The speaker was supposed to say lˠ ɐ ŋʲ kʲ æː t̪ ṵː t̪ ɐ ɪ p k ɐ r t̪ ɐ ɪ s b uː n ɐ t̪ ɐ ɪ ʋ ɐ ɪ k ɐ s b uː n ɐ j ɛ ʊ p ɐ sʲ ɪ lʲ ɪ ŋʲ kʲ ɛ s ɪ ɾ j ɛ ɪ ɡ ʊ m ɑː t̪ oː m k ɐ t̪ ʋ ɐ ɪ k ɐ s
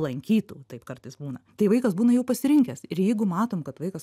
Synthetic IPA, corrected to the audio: lˠ ɐ ŋʲ kʲ iː t̪ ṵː t̪ ɐ ɪ p k ɐ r t̪ ɐ ɪ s b uː n ɐ t̪ ɐ ɪ ʋ ɐ ɪ k ɐ s b uː n ɐ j ɛ ʊ p ɐ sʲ ɪ ɾʲ ɪ ŋʲ kʲ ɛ s ɪ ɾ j ɛ ɪ ɡ ʊ m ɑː t̪ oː m k ɐ t̪ ʋ ɐ ɪ k ɐ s